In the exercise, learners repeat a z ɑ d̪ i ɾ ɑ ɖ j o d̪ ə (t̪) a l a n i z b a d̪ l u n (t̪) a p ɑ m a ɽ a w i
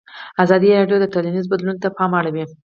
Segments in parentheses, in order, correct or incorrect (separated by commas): correct, correct